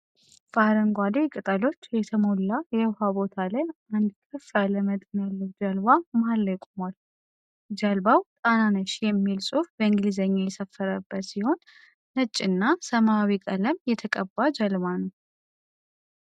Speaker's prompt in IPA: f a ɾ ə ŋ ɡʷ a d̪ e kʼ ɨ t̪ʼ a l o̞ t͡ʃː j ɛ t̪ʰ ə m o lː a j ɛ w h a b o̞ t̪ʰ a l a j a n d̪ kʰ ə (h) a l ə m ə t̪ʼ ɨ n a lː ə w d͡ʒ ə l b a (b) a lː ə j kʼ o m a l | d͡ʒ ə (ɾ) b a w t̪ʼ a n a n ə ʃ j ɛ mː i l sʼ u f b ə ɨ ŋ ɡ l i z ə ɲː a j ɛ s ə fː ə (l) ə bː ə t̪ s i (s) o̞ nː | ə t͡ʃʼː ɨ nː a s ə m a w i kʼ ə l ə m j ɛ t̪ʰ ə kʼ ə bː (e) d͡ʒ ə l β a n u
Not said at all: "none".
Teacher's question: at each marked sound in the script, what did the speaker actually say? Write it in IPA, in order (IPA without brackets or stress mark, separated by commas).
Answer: f, m, l, ɾ, h, a